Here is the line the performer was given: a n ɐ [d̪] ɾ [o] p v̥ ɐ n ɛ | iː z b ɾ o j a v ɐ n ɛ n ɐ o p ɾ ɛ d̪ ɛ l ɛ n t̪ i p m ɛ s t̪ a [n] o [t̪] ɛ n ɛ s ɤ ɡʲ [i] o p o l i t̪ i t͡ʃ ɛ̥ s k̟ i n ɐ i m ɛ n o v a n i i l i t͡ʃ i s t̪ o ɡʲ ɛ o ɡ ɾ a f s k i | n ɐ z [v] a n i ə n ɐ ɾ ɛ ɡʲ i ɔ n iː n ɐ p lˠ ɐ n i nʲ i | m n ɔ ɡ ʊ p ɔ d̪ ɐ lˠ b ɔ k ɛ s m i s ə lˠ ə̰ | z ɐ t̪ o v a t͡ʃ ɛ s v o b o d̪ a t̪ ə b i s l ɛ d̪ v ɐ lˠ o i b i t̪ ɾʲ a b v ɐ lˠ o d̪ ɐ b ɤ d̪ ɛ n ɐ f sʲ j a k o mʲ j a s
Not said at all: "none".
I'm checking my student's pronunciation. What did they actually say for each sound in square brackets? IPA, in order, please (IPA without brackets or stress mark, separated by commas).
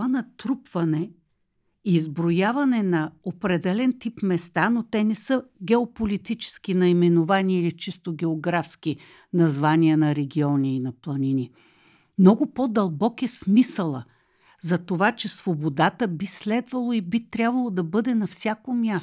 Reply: t̪, u, n, t̪, ɛ, v